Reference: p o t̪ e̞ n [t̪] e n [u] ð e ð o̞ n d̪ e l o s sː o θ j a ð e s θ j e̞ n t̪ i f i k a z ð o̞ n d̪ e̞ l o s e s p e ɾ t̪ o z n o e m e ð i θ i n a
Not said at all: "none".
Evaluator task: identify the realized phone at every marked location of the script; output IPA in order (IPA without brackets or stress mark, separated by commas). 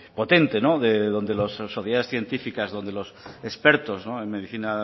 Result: t̪, o